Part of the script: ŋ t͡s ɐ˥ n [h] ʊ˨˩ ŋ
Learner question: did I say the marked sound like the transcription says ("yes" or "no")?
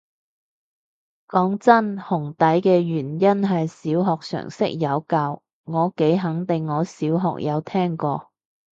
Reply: yes